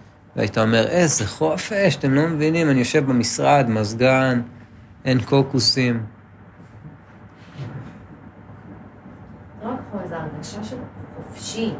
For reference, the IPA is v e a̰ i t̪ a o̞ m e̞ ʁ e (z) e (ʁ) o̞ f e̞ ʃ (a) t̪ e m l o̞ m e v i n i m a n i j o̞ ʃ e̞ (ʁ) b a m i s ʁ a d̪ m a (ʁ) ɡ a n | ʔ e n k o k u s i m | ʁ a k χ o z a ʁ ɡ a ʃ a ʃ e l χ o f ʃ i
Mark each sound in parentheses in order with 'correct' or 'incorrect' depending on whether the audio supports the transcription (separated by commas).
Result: correct, incorrect, correct, incorrect, incorrect